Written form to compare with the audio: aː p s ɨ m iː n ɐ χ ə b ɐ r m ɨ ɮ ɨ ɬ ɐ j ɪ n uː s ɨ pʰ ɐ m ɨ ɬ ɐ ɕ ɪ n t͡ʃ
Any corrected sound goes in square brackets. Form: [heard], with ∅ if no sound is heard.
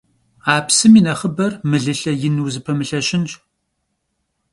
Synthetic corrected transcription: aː p s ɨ m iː n ɐ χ ə b ɐ r m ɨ ɮ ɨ ɬ ɐ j ɪ n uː [z] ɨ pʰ ɐ m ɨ ɬ ɐ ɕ ɪ n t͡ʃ